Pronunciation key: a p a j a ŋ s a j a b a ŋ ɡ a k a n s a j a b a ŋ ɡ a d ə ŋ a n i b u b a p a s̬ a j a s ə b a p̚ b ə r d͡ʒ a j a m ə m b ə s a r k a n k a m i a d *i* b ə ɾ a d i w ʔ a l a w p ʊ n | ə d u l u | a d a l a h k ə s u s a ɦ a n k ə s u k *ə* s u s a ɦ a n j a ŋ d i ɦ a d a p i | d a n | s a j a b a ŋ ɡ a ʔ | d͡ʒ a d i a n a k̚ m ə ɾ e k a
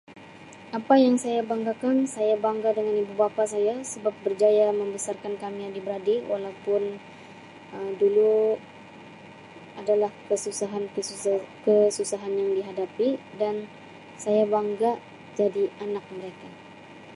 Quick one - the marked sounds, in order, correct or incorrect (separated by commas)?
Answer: correct, correct